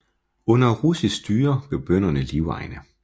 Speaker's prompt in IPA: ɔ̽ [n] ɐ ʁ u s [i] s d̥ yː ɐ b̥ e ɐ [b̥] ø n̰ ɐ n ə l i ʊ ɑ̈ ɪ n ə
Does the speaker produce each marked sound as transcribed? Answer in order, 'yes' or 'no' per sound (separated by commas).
yes, yes, yes